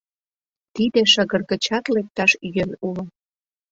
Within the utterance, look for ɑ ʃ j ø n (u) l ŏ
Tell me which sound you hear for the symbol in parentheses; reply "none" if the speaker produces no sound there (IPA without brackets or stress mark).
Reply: u